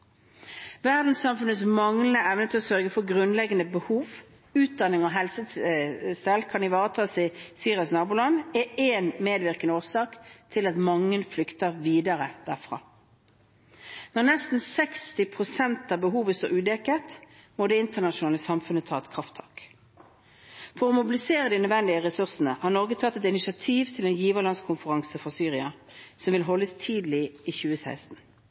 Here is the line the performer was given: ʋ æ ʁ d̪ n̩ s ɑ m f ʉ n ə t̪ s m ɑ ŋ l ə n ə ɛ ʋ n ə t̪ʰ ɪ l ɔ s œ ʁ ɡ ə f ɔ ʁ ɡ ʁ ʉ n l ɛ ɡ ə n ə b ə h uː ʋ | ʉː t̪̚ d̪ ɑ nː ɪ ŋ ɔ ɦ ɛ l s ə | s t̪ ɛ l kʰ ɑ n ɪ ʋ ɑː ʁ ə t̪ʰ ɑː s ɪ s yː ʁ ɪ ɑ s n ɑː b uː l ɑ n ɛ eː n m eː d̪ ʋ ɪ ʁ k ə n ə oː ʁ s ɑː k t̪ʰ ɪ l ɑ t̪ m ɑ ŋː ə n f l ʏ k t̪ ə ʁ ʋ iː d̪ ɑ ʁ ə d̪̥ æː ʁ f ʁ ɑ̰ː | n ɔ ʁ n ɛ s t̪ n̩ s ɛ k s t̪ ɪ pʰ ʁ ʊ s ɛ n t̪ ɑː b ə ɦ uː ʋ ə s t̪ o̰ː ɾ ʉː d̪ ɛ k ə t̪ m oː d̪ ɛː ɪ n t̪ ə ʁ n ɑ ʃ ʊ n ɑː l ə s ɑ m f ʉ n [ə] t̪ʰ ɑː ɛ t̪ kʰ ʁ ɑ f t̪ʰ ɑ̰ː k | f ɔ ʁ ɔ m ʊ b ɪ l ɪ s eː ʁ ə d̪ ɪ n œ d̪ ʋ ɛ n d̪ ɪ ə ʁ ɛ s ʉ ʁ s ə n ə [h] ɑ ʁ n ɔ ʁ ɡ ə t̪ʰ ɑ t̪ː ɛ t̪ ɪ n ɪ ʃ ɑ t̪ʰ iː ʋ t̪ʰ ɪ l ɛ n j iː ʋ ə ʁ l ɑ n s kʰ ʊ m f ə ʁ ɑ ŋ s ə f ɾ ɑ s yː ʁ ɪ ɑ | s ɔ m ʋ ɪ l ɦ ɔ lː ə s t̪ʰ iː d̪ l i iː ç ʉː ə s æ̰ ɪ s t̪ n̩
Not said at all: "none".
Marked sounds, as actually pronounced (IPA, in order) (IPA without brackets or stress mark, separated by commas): ə, h